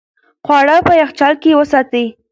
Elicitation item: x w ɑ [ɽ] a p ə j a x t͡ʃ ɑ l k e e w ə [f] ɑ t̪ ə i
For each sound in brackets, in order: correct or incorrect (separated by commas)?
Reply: correct, incorrect